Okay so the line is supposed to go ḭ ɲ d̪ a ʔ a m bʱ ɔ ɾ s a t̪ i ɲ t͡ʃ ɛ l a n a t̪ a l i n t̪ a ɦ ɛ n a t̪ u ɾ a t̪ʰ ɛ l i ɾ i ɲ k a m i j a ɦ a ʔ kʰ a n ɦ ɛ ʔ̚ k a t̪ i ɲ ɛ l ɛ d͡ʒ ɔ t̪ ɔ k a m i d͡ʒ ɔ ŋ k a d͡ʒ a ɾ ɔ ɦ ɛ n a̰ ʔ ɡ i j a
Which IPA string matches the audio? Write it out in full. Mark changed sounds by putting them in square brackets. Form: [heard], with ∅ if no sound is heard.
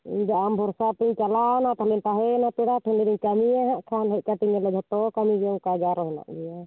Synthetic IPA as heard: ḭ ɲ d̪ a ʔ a m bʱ ɔ ɾ s a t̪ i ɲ t͡ʃ [a] l a n a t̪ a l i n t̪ a ɦ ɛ n a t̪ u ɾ a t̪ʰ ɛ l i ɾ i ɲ k a m i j a ɦ a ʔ kʰ a n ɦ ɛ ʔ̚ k a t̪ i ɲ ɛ l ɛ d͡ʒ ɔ t̪ ɔ k a m i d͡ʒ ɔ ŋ k a d͡ʒ a ɾ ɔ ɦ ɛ n a̰ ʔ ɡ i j a